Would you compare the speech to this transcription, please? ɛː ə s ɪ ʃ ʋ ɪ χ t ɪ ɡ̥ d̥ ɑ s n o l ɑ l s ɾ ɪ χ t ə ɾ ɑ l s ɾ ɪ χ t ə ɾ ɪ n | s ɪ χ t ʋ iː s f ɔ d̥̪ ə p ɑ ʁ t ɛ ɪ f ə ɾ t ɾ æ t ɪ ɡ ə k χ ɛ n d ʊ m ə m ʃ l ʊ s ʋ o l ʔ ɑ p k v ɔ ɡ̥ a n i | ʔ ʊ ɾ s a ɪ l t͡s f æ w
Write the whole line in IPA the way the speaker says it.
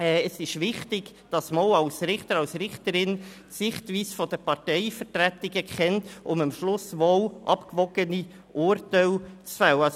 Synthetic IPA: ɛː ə s ɪ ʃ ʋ ɪ χ t ɪ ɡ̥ d̥ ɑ s m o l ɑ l s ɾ ɪ χ t ə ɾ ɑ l s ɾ ɪ χ t ə ɾ ɪ n | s ɪ χ t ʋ iː s f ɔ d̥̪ ə p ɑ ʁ t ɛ ɪ f ə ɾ t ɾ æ t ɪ ɡ ə k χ ɛ n t ʊ m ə m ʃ l ʊ s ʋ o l ʔ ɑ p k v ɔ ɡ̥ ə n i | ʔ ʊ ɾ t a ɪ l t͡s f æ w

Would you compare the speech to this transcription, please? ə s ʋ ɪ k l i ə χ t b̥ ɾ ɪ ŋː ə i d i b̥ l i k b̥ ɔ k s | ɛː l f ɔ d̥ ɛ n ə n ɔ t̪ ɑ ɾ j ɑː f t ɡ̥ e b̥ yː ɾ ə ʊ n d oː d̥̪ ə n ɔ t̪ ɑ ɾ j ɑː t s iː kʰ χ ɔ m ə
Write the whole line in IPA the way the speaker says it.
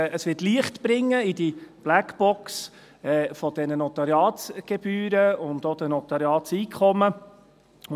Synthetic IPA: ə s ʋ ɪ t l i ə χ t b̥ ɾ ɪ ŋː ə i d i b̥ l æ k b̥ ɔ k s | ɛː f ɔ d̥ ɛ n ə n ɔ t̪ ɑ ɾ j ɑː t ɡ̥ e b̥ yː ɾ ə ʊ n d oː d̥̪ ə n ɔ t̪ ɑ ɾ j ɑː t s iː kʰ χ ɔ m ə

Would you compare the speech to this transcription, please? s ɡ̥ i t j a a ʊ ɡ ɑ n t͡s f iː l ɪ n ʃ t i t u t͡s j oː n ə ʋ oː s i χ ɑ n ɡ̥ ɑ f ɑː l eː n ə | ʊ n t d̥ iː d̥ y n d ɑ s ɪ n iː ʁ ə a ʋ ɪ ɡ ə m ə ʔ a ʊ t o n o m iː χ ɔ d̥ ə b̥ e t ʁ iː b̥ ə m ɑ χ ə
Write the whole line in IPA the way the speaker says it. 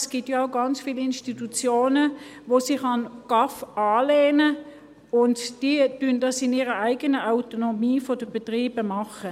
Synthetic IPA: s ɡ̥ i t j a a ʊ ɡ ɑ n t͡s f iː l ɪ n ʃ t i t u t͡s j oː n ə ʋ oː s i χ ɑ n ɡ̥ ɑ f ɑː l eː n ə | ʊ n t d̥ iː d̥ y n d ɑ s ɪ n iː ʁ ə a ɪ ɡ ə n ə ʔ a ʊ t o n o m iː f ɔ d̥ ə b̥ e t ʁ iː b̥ ə m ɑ χ ə

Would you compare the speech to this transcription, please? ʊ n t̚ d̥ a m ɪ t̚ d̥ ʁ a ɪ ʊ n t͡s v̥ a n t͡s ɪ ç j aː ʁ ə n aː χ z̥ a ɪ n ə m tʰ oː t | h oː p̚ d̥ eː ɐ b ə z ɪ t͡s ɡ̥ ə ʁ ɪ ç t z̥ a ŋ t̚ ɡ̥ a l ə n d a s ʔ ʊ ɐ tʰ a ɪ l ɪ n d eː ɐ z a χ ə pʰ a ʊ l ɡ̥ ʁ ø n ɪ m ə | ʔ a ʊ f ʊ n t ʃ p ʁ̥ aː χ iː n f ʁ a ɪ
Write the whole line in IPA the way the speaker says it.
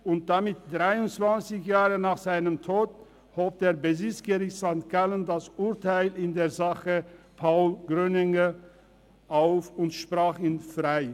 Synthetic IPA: ʊ n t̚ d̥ a m ɪ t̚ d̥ ʁ a ɪ ʊ n t͡s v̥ a n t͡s ɪ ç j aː ʁ ə n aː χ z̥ a ɪ n ə m tʰ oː t | h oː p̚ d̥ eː ɐ b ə z ɪ t͡s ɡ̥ ə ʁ ɪ ç t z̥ a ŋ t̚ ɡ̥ a l ə n d a s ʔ ʊ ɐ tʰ a ɪ l ɪ n d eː ɐ z a χ ə pʰ a ʊ l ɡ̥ ʁ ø n ɪ ŋ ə | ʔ a ʊ f ʊ n t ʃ p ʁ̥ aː χ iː n f ʁ a ɪ

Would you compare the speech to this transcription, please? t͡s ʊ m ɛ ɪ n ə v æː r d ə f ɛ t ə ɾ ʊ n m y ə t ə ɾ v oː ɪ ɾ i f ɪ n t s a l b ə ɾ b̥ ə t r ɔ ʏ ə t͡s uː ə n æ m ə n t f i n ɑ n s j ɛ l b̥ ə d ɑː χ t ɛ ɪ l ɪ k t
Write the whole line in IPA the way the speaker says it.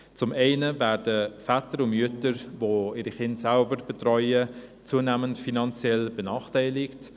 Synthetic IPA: t͡s ʊ m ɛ ɪ n ə v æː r d ə f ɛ t ə ɾ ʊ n m y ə t ə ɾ v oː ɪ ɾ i χ ɪ n t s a l b ə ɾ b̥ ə t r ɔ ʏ ə t͡s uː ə n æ m ə n t f i n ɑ n t͡s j ɛ l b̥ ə n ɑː χ t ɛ ɪ l ɪ k t

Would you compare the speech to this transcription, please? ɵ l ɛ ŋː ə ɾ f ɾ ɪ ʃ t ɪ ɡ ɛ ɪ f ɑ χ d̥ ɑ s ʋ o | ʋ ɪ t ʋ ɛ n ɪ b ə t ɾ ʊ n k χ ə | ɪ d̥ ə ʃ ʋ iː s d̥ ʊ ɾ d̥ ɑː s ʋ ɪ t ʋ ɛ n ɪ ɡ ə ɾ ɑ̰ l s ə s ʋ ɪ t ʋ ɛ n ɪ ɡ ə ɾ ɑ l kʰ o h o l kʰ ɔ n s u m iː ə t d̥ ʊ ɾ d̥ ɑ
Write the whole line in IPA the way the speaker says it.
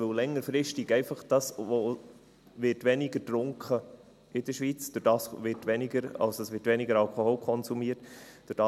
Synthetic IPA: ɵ l ɛ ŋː ə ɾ f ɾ ɪ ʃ t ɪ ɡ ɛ ɪ f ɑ χ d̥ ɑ s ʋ o | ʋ ɪ t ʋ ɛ n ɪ ɡ ə t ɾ ʊ ŋ k χ ə | ɪ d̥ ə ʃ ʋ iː t͡s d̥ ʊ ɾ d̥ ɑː s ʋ ɪ t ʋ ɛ n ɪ ɡ ə ɾ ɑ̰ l s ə s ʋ ɪ t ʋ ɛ n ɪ ɡ ə ɾ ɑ l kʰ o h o l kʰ ɔ n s u m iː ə t d̥ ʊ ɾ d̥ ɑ

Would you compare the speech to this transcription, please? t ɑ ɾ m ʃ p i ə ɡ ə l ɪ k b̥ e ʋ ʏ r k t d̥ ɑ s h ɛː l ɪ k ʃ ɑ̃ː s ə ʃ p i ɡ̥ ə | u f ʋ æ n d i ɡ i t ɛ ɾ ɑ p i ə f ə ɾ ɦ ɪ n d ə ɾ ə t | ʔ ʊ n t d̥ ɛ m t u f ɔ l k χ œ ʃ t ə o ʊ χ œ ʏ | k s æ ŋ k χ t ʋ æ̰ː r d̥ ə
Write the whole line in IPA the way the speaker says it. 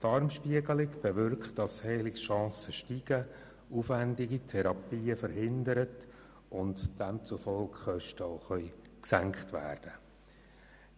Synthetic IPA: t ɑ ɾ m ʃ p i ə ɡ ə l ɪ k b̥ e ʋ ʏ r k t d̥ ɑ s h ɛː l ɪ k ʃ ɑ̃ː s ə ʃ t i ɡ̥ ə | u f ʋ æ n d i ɡ i tʰ ɛ ɾ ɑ p iː ə f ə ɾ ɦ ɪ n d ə ɾ ə t | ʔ ʊ n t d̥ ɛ m t͡s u f ɔ l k χ œ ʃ t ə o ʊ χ œ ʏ | k s æ ŋ k χ t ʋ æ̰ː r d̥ ə

